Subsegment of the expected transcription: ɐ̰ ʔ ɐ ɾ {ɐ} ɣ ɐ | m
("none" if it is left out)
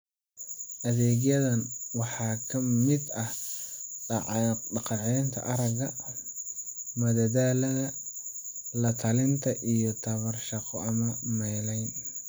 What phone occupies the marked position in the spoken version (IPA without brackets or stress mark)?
ɐ